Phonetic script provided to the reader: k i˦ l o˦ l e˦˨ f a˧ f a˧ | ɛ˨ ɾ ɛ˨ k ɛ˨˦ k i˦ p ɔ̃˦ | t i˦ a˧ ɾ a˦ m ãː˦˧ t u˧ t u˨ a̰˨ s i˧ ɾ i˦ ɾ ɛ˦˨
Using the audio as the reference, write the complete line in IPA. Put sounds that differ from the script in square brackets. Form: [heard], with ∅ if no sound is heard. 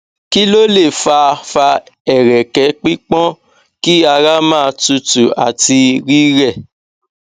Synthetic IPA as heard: k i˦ l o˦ l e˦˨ f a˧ f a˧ | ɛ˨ ɾ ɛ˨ k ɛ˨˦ [k͡p] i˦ [k͡p] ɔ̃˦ | [k] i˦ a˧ ɾ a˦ m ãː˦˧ t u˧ t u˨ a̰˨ [t] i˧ ɾ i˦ ɾ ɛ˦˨